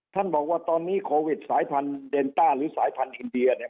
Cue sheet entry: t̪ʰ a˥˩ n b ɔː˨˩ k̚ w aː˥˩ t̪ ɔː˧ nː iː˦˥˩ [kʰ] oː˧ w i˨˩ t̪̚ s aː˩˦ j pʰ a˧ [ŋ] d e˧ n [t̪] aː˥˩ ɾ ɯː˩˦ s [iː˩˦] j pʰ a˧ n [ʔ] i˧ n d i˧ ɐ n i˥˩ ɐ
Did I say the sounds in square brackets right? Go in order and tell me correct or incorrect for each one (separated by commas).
correct, incorrect, correct, incorrect, correct